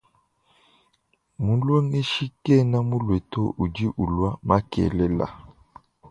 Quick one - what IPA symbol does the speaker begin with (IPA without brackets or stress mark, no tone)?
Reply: m